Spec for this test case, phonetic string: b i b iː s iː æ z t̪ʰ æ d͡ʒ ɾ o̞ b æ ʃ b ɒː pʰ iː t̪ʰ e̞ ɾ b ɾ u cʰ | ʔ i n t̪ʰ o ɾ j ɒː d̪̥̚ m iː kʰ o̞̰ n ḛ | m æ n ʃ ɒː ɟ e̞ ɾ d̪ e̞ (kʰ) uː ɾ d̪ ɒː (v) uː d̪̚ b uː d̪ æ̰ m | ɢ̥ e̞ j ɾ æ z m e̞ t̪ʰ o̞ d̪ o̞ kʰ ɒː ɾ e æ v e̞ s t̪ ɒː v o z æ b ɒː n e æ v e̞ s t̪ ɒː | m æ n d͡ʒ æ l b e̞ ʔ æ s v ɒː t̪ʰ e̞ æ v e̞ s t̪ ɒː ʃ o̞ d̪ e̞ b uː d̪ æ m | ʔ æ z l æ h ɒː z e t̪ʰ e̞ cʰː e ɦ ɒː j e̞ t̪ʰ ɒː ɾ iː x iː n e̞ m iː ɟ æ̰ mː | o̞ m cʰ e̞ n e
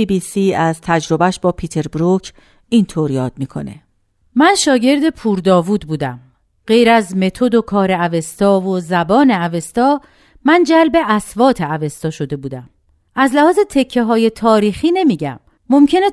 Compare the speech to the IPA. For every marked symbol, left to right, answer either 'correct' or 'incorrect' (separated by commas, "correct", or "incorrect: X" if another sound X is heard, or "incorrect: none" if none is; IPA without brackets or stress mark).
incorrect: pʰ, correct